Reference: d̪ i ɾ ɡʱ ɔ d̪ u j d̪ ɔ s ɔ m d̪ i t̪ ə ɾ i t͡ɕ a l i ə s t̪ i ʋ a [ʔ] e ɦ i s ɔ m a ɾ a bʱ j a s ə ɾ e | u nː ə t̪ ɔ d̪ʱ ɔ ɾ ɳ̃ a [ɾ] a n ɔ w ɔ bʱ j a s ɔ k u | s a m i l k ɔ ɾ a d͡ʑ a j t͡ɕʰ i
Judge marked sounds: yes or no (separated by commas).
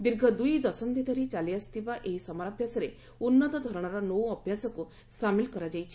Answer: yes, yes